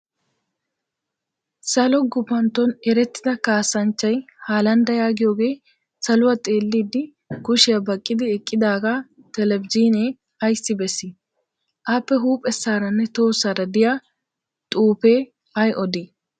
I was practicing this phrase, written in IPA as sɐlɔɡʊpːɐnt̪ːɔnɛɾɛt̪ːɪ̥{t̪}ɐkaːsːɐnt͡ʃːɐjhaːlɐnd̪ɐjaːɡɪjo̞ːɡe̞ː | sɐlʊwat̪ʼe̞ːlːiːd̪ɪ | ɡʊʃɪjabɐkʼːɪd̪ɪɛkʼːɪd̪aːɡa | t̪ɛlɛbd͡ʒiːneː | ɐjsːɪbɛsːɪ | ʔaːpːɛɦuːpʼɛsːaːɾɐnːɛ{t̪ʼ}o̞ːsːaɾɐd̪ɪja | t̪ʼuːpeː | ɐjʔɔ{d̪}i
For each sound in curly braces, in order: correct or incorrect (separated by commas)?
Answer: incorrect, incorrect, correct